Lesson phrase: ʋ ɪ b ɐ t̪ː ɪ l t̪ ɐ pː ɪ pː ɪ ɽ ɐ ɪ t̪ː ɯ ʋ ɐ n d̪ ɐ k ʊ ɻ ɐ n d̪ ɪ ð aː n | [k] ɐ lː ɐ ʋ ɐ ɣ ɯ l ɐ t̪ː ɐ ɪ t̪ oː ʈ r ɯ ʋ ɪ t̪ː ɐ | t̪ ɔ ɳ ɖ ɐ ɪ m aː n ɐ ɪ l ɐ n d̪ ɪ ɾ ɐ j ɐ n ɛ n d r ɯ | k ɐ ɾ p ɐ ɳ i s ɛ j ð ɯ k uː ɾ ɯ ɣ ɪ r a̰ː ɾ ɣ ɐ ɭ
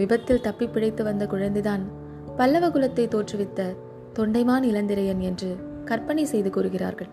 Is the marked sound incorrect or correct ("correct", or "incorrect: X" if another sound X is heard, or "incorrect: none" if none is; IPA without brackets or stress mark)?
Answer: incorrect: p